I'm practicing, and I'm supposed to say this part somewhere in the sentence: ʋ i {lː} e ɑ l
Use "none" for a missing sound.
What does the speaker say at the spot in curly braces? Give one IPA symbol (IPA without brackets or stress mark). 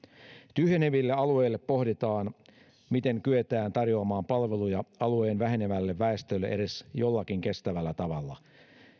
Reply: lː